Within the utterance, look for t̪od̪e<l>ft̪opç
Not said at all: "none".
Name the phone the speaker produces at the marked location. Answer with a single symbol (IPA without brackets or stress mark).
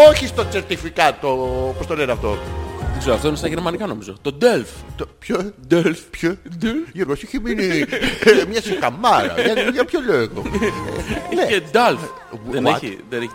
l